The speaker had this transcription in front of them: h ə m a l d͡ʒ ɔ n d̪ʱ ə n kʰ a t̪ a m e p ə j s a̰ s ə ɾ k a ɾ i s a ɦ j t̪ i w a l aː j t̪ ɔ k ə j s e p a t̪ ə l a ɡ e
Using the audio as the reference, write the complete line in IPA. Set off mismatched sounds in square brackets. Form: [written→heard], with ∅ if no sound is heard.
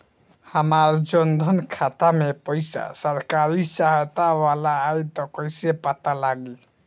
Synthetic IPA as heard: h ə m a [l→ɾ] d͡ʒ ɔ n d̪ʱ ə n kʰ a t̪ a m e p ə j s a̰ s ə ɾ k a ɾ i s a ɦ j t̪ [i→a] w a l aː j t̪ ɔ k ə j s e p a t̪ [ə→a] l a ɡ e